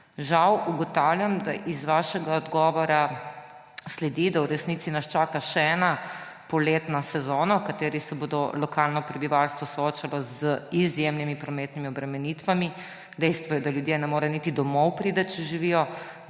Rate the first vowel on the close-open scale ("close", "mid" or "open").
open